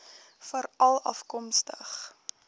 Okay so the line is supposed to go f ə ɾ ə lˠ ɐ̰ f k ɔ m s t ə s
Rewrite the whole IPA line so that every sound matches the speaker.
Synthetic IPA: f ə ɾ ɐ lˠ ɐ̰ f k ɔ m s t ə χ